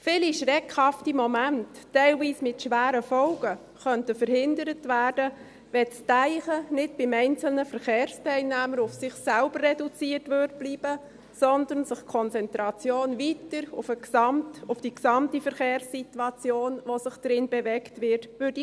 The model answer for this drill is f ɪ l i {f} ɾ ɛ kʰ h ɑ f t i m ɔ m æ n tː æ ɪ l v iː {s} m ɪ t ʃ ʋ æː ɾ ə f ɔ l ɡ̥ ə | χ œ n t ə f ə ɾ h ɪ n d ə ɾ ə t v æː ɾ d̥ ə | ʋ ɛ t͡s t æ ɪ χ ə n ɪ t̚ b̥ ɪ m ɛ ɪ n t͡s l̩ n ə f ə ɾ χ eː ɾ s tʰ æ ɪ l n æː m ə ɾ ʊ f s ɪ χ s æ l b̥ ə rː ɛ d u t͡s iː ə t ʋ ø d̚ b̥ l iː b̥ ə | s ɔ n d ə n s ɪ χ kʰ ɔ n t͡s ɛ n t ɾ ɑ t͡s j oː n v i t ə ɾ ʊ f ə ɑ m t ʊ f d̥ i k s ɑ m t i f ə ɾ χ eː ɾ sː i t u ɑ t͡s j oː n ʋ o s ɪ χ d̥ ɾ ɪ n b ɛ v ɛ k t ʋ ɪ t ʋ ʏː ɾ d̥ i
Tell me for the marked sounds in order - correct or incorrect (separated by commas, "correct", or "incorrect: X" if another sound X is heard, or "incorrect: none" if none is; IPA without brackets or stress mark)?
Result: incorrect: ʃ, correct